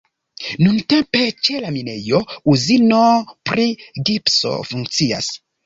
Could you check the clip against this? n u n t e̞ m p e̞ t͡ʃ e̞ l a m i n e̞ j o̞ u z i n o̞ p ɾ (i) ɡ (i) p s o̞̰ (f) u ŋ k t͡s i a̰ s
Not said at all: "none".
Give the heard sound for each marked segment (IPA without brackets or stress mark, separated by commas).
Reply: i, i, f